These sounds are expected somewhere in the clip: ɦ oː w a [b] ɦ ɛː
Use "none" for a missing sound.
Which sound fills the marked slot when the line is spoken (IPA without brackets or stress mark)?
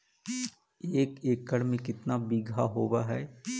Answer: none